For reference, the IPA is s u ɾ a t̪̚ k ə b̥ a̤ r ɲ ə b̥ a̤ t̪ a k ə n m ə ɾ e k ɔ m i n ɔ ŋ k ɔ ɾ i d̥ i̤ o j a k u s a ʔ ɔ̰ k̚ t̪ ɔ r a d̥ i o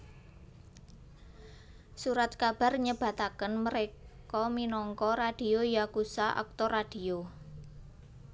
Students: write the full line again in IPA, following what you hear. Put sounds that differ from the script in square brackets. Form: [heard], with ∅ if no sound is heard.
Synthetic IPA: s u ɾ a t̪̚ k [a] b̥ a̤ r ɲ ə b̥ a̤ t̪ a k ə n m ə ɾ e k ɔ m i n ɔ ŋ k ɔ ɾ [a] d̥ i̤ o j a k u s a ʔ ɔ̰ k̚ t̪ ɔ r a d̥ i o